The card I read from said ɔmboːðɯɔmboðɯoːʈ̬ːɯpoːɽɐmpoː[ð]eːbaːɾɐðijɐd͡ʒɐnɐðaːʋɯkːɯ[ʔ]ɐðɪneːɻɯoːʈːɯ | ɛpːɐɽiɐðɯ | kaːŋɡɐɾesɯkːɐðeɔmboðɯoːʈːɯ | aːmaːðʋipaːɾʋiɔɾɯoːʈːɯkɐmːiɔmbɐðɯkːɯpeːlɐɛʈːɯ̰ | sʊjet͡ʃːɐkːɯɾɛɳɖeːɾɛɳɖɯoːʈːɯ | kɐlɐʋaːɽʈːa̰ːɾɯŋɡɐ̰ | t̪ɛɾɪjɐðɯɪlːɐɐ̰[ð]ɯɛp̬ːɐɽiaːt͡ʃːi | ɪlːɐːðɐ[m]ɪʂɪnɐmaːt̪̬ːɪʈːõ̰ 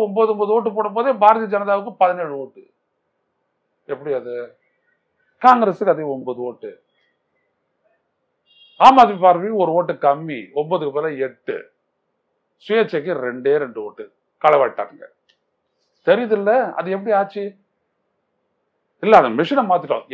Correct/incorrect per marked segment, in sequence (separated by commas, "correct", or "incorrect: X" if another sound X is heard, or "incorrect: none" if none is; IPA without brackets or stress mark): correct, incorrect: p, correct, correct